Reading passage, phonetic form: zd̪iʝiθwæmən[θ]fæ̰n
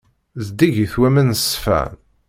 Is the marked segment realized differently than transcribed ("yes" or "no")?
yes